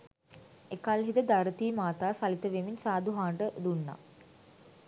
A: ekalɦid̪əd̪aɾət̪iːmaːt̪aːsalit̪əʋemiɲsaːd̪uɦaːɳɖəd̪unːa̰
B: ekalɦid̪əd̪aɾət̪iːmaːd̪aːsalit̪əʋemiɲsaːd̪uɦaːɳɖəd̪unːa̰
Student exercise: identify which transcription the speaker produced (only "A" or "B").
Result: A